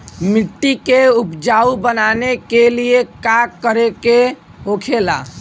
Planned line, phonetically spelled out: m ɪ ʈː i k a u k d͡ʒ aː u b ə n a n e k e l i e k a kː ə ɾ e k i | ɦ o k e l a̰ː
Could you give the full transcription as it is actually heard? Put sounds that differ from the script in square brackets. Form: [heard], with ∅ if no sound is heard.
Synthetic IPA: m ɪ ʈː i k [e] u [p] d͡ʒ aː u b ə n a n e k e l i e k a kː ə ɾ e k [e] | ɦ o [kʰ] e l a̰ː